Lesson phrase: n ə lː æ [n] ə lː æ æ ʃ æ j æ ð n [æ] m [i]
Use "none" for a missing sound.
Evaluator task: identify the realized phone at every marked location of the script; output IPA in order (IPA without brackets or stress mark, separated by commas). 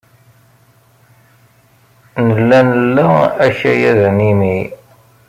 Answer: n, i, i